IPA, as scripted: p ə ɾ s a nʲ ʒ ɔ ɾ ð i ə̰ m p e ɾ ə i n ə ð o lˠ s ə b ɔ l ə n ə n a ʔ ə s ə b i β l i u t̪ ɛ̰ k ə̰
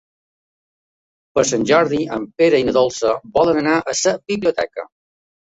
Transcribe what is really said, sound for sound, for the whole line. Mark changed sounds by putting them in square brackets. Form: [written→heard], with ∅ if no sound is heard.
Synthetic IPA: p ə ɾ s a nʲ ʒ ɔ ɾ ð i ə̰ m p e ɾ ə i n ə ð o lˠ s ə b ɔ l ə n ə n a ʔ ə s ə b i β l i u t̪ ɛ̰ k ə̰